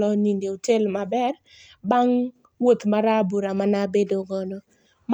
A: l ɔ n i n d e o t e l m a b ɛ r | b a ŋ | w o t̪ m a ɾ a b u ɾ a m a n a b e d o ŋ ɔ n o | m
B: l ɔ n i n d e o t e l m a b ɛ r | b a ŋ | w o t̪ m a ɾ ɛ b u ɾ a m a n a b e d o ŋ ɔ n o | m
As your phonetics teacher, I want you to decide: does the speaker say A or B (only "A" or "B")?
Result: A